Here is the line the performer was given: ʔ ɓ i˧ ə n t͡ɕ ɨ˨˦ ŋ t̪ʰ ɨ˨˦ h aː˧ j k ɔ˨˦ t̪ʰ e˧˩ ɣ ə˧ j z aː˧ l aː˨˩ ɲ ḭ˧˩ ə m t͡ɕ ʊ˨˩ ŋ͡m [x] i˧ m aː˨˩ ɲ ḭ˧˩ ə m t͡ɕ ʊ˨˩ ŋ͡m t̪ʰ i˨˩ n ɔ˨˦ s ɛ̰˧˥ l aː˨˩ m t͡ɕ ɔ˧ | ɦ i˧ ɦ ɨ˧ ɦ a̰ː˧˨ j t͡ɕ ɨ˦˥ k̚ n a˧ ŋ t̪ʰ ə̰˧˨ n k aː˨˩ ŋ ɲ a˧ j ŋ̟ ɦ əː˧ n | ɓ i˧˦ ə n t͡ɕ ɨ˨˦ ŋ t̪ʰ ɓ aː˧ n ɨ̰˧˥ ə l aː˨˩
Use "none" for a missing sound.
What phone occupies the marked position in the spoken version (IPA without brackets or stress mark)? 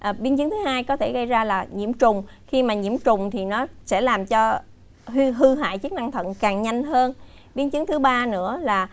x